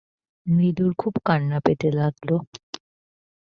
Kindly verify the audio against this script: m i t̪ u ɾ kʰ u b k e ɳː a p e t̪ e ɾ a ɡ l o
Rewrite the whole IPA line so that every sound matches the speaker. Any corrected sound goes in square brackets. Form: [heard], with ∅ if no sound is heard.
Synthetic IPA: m i [d̪] u ɾ kʰ u b k [a] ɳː a p e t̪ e [l] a ɡ l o

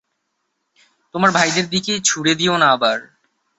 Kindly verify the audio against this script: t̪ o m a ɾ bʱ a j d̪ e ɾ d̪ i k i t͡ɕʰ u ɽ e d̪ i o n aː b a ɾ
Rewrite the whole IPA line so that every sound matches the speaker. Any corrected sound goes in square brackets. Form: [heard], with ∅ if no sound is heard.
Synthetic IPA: t̪ o m a ɾ bʱ a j d̪ e ɾ d̪ i k [e] t͡ɕʰ u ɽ e d̪ i o n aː b a ɾ

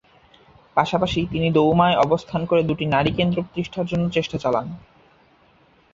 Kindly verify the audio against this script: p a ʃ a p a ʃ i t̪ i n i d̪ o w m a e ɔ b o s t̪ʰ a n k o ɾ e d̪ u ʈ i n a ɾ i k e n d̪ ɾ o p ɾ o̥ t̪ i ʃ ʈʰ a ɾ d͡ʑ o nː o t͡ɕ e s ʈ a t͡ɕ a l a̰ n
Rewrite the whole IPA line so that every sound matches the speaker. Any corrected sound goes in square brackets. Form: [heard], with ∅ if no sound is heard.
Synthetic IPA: p a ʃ a p a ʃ i t̪ i n i d̪ o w m a e ɔ b o s t̪ʰ a n k o ɾ e d̪ u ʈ i n a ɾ i k e n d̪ ɾ o p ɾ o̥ t̪ i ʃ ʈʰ a ɾ d͡ʑ o nː o t͡ɕ e [ʃ] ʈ a t͡ɕ a l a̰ n

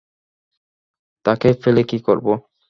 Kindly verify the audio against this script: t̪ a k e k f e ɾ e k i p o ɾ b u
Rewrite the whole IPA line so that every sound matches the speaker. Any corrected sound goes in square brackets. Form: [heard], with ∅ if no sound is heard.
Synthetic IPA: t̪ a k e [∅] f e [l] e k i [k] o ɾ b [o]

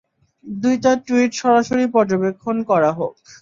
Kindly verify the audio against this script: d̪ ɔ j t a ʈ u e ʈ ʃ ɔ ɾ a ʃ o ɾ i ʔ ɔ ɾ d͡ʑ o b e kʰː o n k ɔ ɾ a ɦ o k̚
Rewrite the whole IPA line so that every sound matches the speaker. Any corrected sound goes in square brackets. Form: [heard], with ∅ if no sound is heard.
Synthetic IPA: d̪ [u] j t a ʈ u [i] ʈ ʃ ɔ ɾ a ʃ o ɾ i [p] ɔ ɾ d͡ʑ o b e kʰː o n k ɔ ɾ a ɦ o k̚

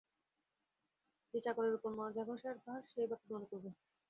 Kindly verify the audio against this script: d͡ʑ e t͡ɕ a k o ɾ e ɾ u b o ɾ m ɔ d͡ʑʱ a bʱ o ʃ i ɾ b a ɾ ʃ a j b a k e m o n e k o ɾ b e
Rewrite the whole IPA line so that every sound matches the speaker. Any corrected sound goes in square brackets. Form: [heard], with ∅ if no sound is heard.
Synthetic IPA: d͡ʑ e t͡ɕ a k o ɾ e ɾ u [p] o ɾ m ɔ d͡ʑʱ a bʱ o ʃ [a] ɾ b a ɾ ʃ [e] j b a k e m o n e k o ɾ b e

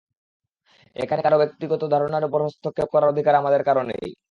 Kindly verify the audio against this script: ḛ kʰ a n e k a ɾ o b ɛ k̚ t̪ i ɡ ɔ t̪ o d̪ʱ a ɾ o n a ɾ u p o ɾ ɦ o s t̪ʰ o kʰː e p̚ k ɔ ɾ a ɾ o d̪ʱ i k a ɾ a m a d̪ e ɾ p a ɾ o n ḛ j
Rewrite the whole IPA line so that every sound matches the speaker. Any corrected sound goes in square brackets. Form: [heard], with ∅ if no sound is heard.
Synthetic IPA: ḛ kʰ a n e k a ɾ o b [e] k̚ t̪ i ɡ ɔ t̪ o d̪ʱ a ɾ o n a ɾ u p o ɾ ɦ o s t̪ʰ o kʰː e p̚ k ɔ ɾ a ɾ o d̪ʱ i k a ɾ a m a d̪ e ɾ [k] a ɾ o n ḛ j

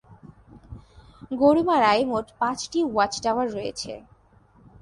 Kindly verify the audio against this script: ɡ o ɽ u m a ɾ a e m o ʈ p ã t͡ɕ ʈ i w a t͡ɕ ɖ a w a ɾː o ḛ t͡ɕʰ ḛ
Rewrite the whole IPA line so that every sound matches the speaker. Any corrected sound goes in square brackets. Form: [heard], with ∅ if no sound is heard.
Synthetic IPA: ɡ o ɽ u m a ɾ a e m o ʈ p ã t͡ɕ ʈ i w a t͡ɕ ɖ a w a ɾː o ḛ t͡ɕʰ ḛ

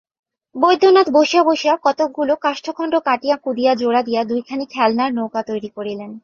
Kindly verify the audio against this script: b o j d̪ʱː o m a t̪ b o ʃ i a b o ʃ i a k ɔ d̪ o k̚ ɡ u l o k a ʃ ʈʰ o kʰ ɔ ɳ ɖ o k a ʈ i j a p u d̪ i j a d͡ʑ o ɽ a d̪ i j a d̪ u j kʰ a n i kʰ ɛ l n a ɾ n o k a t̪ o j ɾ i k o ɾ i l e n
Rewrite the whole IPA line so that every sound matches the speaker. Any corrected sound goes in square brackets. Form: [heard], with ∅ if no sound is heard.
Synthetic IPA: b o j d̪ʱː o [n] a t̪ b o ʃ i a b o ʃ i a k ɔ [t̪] o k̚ ɡ u l o k a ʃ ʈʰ o kʰ ɔ ɳ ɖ o k a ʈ i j a [k] u d̪ i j a d͡ʑ o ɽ a d̪ i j a d̪ u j kʰ a n i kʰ ɛ l n a ɾ n o k a t̪ o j ɾ i k o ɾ i l e n

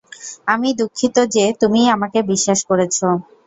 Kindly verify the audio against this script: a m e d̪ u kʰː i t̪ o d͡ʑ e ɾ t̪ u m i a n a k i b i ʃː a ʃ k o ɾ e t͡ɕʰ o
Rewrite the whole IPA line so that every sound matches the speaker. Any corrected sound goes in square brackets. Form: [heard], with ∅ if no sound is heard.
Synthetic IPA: a m [i] d̪ u kʰː i t̪ o d͡ʑ e [∅] t̪ u m i a [m] a k [e] b i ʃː a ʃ k o ɾ e t͡ɕʰ o

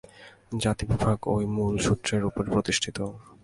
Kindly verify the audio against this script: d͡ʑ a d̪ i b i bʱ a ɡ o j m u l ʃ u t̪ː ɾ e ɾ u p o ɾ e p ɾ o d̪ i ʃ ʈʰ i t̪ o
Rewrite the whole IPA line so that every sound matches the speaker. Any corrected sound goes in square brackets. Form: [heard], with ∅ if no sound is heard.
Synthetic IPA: d͡ʑ a [t̪] i b i bʱ a ɡ o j m u l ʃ u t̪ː ɾ e ɾ u p o ɾ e p ɾ o [t̪] i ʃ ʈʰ i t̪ o

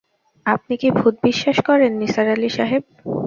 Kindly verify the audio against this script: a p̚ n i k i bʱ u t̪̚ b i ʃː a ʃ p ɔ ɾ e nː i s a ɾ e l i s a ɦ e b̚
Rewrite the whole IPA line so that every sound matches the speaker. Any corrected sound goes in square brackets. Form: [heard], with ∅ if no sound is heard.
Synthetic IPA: a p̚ n i k i bʱ u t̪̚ b i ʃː a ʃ [k] ɔ ɾ e nː i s a ɾ [a] l i [ʃ] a ɦ e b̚

